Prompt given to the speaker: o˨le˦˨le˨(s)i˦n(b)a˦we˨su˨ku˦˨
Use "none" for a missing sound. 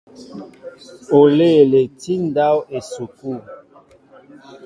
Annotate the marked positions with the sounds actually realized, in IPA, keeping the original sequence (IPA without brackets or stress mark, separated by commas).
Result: t, d